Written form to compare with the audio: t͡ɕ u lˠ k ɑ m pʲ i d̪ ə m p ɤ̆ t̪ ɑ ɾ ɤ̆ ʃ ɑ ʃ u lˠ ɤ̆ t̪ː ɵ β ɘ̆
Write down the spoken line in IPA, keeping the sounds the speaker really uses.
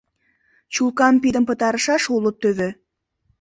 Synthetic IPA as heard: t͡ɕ u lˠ k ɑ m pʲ i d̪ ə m p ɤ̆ t̪ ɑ ɾ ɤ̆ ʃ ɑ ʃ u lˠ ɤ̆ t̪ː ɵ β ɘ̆